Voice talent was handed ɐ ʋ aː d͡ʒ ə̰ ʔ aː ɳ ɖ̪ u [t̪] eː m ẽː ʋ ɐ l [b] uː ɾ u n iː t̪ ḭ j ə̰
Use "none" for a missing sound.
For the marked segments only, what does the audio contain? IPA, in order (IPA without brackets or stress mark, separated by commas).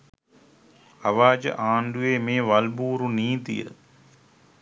none, b